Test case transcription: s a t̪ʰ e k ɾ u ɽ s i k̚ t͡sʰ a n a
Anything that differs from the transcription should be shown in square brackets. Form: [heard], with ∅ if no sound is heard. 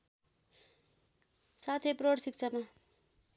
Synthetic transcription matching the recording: s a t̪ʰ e [p] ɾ [o] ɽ s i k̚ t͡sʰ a [m] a